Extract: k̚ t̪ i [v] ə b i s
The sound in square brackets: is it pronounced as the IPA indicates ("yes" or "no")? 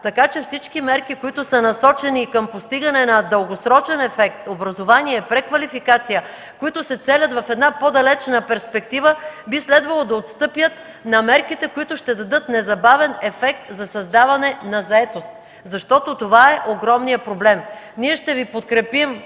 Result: yes